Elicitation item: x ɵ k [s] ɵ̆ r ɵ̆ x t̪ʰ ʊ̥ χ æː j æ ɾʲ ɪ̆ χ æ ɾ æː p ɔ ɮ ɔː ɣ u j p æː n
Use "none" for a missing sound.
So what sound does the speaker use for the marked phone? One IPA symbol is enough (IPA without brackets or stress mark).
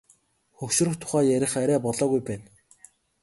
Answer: ʃ